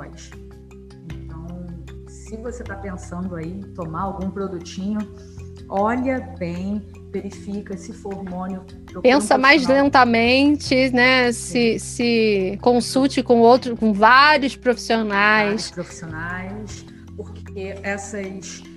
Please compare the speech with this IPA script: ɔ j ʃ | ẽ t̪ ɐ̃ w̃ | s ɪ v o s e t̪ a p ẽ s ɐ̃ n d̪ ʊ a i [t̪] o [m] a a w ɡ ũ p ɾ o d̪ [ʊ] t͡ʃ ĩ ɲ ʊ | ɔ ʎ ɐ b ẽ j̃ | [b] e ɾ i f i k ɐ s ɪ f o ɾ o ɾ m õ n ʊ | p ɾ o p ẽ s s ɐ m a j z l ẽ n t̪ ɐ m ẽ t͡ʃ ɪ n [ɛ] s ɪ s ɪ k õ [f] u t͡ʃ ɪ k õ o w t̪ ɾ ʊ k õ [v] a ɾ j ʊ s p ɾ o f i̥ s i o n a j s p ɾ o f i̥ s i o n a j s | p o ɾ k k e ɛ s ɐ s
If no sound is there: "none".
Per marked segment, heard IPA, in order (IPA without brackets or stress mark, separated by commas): t̪, m, u, v, ɛ, s, v